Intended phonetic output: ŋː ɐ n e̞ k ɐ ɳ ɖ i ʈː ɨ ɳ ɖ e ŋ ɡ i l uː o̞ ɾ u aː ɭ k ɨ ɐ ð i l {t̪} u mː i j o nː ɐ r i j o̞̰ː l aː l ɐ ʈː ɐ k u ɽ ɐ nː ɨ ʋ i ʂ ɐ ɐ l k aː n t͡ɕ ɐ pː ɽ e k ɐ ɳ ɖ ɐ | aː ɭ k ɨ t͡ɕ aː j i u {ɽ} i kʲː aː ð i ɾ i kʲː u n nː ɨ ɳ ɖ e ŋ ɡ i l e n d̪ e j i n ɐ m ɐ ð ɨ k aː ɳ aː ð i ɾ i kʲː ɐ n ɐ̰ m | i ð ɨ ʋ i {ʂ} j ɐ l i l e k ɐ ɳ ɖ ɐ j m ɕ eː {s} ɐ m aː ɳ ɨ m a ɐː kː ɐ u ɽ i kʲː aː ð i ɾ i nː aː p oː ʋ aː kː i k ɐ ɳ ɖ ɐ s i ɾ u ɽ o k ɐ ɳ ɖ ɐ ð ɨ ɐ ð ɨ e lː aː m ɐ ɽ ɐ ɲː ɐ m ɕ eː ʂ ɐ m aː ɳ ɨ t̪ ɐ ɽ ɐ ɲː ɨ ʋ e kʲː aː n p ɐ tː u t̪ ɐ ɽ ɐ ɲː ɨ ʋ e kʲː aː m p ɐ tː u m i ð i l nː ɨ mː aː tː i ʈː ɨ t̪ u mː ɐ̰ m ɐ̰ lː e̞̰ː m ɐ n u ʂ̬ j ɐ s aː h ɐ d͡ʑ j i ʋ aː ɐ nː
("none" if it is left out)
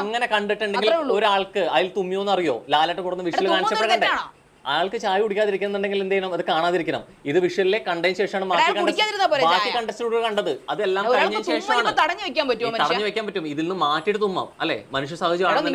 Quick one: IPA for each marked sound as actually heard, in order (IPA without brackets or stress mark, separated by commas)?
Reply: t̪, ɽ, ʂ, ʂ